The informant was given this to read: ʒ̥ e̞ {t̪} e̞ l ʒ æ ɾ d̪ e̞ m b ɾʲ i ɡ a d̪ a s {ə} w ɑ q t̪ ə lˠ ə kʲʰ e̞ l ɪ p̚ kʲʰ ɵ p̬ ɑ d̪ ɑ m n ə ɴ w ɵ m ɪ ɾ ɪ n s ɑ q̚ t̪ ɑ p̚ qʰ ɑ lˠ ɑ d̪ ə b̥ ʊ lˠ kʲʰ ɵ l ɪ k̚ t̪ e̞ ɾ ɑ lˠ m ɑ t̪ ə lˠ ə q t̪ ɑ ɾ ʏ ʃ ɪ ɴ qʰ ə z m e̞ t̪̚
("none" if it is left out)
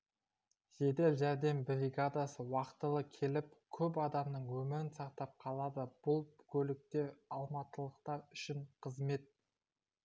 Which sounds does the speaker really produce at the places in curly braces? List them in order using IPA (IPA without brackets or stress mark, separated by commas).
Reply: d̪, ə